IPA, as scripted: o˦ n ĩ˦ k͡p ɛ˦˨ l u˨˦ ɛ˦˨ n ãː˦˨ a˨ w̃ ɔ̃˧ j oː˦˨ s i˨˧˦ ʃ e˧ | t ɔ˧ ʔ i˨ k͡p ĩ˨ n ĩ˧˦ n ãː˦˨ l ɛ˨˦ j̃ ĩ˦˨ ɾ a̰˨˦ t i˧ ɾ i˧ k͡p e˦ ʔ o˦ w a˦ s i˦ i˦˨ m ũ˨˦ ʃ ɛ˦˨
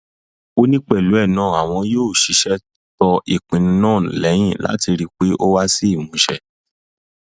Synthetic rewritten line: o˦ n ĩ˦ k͡p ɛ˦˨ l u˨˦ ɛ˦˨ n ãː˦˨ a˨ w̃ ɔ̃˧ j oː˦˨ ʃ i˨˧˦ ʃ ɛ˧ | t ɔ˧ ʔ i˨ k͡p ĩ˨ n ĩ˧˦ n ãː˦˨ l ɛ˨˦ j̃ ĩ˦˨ l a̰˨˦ t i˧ ɾ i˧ k͡p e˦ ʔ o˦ w a˦ s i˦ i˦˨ m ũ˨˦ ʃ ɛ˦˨